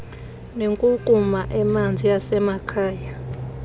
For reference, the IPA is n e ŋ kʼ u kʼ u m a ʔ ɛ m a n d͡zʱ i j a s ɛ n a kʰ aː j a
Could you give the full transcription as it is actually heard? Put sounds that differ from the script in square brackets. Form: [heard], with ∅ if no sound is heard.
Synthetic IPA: n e ŋ kʼ u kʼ u m a ʔ ɛ m a n d͡zʱ i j a s ɛ [m] a kʰ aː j a